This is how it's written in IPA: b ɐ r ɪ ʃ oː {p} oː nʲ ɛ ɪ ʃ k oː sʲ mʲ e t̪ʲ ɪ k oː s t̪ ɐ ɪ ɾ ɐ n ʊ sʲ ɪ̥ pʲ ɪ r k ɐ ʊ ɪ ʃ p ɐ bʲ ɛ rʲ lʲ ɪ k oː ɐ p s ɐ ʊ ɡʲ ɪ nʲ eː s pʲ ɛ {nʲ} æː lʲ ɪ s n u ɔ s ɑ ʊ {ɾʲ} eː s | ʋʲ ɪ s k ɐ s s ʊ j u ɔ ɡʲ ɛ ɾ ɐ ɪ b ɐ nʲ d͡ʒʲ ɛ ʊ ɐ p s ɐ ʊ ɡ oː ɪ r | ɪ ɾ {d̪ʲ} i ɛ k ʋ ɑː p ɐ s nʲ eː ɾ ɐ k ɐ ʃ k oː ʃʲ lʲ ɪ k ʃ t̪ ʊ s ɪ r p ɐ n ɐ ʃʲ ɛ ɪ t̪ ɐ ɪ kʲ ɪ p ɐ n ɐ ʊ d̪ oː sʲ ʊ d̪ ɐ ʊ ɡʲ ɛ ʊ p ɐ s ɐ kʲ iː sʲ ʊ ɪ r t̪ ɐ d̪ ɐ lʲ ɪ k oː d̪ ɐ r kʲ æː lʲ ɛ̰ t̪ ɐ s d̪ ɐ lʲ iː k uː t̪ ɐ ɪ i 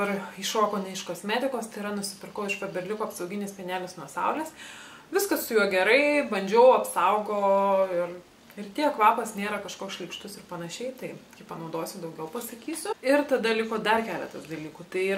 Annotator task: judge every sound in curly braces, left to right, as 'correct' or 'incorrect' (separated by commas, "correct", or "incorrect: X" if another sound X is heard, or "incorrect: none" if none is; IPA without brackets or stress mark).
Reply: incorrect: k, correct, incorrect: lʲ, incorrect: t̪ʲ